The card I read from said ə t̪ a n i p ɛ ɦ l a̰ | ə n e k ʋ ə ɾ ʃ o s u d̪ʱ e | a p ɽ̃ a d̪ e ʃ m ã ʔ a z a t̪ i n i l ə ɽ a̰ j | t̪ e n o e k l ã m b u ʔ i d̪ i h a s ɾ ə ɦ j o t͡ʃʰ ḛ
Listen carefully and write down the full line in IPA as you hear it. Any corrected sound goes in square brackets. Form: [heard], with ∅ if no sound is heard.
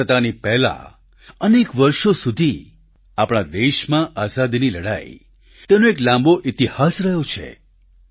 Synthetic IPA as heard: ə t̪ a n i p ɛ ɦ l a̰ | ə n e k ʋ ə ɾ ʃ o s u d̪ʱ [i] | a p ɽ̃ a d̪ e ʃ m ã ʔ a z a [d̪] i n i l ə ɽ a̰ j | t̪ e n o e k l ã m b [o] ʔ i [t̪] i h a s ɾ ə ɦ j o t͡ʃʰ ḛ

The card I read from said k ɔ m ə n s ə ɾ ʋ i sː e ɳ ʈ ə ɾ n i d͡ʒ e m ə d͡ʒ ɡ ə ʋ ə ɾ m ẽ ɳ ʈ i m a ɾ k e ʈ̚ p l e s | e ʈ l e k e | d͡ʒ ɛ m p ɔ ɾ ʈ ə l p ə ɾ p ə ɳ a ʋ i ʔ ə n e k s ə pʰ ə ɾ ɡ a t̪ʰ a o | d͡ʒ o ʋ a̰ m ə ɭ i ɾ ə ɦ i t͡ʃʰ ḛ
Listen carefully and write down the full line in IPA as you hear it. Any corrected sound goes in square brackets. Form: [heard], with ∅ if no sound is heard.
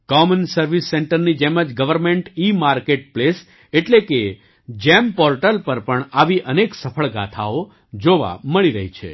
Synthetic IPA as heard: k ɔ m ə n s ə ɾ ʋ i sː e ɳ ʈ ə ɾ n i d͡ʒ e m ə d͡ʒ ɡ ə ʋ ə ɾ m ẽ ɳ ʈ i m a ɾ k e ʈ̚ p l e s | e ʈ l e k e | d͡ʒ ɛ m p ɔ ɾ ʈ ə l p ə ɾ p ə ɳ a ʋ i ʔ ə n e k s ə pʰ ə [ɭ] ɡ a t̪ʰ a o | d͡ʒ o ʋ a̰ m ə ɭ i ɾ ə ɦ i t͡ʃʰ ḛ

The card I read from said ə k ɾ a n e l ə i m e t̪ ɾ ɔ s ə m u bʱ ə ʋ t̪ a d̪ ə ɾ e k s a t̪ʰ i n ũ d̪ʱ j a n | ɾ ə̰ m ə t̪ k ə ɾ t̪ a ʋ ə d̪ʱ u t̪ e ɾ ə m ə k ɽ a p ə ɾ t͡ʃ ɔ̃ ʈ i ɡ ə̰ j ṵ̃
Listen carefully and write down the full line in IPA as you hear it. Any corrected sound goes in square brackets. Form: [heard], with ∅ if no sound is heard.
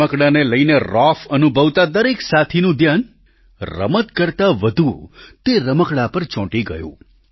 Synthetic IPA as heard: ə k [ɽ] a n e l ə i [n] e [∅] ɾ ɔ [f] ə [n] u bʱ ə ʋ t̪ a d̪ ə ɾ e k s a t̪ʰ i n ũ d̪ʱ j a n | ɾ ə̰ m ə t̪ k ə ɾ t̪ a ʋ ə d̪ʱ u t̪ e ɾ ə m ə k ɽ a p ə ɾ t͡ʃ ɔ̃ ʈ i ɡ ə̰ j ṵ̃

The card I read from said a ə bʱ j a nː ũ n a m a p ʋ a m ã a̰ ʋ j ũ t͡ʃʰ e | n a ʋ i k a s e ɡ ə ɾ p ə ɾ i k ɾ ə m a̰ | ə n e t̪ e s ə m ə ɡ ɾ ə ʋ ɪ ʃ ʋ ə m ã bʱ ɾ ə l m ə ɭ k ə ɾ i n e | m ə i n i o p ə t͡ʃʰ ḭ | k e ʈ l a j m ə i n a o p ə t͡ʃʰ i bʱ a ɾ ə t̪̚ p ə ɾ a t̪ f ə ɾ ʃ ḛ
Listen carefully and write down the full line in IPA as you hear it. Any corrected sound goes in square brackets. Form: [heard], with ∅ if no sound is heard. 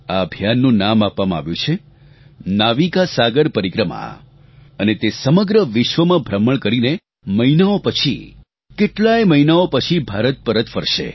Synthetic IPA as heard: a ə bʱ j a nː ũ n a m a p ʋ a m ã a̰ ʋ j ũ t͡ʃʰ e | n a ʋ i k a s [a] ɡ ə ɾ p ə ɾ i k ɾ ə m a̰ | ə n e t̪ e s ə m ə ɡ ɾ ə ʋ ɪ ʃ ʋ ə m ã bʱ ɾ ə [∅] m ə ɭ k ə ɾ i n e | m ə i n [a] o p ə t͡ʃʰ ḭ | k e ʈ l a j m ə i n a o p ə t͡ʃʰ i bʱ a ɾ ə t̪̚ p ə ɾ [ə] t̪ f ə ɾ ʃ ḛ

